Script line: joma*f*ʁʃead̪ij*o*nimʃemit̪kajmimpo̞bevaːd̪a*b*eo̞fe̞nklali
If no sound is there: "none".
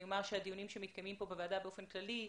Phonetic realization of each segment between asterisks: none, u, b

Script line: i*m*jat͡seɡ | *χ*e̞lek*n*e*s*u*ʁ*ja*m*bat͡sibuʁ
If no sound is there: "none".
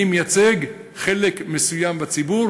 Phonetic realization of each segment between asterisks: m, χ, m, s, none, m

